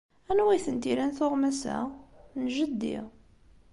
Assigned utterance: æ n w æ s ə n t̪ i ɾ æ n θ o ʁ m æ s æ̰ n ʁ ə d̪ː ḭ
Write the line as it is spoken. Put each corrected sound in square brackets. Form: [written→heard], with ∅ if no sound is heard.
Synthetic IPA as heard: æ n w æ [s→θ] ə n t̪ i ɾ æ n θ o ʁ m æ s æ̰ n [ʁ→ʒ] ə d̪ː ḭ